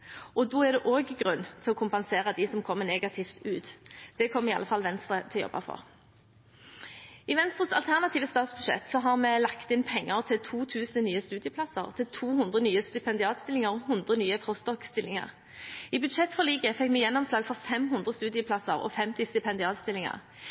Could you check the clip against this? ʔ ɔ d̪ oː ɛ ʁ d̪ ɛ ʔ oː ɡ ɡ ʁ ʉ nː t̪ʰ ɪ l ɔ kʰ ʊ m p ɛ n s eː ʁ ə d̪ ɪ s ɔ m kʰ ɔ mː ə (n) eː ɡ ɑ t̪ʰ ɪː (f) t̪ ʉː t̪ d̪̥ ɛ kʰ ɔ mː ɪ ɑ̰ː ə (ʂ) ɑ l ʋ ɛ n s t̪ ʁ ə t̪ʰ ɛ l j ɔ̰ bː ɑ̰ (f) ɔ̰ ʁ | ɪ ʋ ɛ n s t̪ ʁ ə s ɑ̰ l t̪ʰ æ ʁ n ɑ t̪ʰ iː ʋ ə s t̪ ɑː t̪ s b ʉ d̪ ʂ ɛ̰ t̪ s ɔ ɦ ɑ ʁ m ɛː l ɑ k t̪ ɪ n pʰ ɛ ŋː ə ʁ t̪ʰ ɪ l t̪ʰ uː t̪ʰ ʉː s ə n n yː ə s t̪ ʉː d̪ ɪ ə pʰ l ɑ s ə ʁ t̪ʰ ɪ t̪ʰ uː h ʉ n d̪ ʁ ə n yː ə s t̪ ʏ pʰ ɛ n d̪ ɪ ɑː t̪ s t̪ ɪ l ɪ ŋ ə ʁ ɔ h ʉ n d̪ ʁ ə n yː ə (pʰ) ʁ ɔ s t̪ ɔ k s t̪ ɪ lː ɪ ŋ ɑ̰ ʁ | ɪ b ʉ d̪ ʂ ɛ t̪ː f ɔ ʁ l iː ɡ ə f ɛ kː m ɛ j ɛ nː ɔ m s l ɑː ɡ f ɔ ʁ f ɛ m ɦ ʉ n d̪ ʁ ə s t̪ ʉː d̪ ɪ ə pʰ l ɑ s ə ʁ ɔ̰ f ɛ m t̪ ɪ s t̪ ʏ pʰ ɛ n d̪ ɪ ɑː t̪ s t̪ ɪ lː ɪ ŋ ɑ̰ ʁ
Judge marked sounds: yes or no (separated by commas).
yes, yes, no, yes, yes